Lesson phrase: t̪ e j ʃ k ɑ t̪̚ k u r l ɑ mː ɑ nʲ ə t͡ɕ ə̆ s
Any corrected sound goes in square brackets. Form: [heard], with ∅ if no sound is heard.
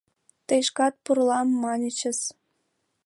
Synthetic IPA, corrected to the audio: t̪ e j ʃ k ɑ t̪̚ [p] u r l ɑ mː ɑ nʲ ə t͡ɕ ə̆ s